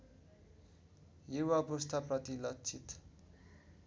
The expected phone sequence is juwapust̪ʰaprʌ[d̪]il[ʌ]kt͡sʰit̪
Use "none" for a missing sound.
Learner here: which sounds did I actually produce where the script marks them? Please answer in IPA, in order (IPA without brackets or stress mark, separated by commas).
t̪, ʌ